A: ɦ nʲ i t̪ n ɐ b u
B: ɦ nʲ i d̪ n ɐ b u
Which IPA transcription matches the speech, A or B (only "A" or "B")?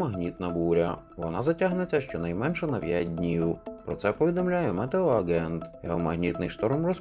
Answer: A